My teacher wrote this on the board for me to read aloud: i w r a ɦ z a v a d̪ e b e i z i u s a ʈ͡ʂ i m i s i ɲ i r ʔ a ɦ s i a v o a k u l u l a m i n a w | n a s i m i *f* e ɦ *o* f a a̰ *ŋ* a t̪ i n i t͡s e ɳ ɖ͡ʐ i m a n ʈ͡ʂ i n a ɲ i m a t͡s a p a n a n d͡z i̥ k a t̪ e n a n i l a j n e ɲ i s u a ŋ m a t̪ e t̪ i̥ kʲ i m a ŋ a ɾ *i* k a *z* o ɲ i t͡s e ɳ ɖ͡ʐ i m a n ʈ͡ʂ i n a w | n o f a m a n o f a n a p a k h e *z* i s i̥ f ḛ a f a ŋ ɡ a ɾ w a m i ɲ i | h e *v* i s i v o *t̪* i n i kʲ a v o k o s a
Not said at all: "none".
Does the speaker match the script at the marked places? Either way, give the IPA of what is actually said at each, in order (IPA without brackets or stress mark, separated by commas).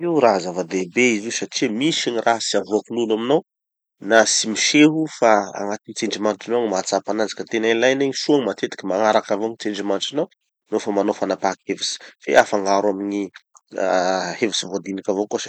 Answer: ʃ, u, ŋ, a, v, v, v, d̪